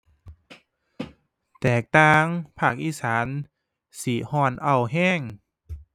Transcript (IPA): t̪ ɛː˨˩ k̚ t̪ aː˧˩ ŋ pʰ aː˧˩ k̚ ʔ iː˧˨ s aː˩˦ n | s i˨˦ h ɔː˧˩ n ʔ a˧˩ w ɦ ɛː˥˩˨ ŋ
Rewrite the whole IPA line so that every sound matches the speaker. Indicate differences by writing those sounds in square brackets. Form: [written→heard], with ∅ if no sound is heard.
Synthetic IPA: t̪ ɛː˨˩ k̚ t̪ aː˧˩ ŋ pʰ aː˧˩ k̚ ʔ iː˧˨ s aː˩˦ n | s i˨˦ h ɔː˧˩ n ʔ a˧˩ w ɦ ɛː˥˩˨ ŋ